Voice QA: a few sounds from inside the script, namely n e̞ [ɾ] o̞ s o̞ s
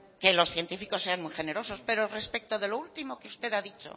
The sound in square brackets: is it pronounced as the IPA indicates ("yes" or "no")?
yes